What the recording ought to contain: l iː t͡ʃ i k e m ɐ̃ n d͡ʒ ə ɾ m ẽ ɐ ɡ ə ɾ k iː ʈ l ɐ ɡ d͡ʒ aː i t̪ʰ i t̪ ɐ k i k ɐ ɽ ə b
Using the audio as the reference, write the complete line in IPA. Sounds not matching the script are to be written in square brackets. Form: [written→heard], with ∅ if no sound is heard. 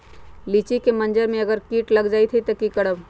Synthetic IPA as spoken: l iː t͡ʃ i k e m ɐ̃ n d͡ʒ ə ɾ m ẽ ɐ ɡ ə ɾ k iː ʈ l ɐ ɡ d͡ʒ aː i t̪ʰ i t̪ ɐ k i k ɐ ɽ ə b